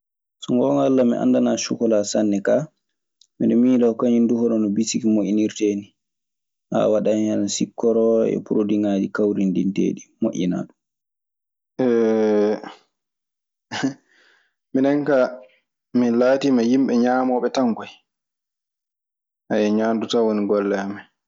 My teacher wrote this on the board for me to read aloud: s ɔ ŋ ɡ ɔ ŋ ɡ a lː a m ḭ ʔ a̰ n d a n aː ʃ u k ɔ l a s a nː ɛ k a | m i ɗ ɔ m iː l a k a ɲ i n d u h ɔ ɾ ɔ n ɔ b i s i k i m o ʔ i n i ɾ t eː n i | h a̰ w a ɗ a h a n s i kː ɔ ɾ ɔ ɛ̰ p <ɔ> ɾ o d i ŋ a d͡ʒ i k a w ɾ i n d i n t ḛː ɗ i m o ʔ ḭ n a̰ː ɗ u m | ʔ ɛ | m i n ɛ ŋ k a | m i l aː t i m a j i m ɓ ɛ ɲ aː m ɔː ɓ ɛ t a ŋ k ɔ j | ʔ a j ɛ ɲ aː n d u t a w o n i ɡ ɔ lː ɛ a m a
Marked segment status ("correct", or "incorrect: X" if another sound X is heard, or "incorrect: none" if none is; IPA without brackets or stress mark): incorrect: u